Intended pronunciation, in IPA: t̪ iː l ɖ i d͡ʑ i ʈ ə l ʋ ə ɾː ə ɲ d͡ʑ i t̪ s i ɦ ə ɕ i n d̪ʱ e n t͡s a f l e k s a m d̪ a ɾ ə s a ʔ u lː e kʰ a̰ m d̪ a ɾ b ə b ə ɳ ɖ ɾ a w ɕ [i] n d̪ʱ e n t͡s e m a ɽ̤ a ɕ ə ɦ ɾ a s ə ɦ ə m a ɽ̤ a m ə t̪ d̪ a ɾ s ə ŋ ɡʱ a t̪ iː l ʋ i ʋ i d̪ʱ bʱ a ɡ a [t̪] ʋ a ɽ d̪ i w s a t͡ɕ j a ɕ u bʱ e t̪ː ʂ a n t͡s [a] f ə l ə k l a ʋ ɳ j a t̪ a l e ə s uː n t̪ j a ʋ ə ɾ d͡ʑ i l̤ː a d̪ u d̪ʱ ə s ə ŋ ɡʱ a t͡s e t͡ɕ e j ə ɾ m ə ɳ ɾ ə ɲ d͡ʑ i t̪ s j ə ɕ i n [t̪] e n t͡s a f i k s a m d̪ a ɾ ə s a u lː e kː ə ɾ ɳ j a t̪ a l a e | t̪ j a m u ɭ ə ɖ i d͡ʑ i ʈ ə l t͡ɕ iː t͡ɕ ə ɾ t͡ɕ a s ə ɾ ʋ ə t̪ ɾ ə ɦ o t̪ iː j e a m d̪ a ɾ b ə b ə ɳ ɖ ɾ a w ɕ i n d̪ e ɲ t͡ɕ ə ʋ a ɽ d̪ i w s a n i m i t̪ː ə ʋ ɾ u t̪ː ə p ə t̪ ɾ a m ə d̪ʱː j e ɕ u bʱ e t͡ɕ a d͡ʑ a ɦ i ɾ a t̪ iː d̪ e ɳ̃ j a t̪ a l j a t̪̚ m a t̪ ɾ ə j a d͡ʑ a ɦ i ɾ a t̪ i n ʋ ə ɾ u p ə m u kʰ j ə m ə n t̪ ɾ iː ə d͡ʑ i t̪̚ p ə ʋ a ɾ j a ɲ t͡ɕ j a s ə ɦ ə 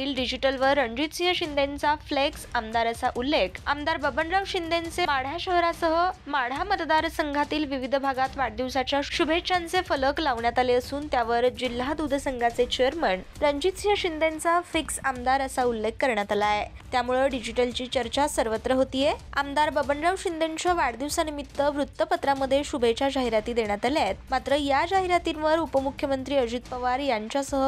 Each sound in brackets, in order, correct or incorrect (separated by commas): correct, correct, incorrect, incorrect